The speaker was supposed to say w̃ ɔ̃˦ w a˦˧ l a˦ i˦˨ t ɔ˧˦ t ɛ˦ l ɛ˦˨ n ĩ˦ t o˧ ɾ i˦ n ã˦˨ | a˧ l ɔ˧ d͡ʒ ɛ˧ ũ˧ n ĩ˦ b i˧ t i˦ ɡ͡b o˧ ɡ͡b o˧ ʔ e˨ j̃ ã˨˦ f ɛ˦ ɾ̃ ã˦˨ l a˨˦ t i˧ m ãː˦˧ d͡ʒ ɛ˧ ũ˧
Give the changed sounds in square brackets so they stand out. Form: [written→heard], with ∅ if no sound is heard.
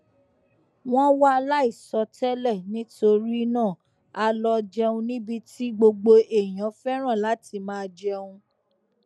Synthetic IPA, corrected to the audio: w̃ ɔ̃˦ w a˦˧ l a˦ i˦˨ [t→s] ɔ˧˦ t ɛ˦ l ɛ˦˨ n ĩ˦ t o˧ ɾ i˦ n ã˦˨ | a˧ l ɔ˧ d͡ʒ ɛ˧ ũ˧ n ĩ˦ b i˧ t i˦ ɡ͡b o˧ ɡ͡b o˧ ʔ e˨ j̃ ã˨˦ f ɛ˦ ɾ̃ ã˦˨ l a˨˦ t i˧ m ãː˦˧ d͡ʒ ɛ˧ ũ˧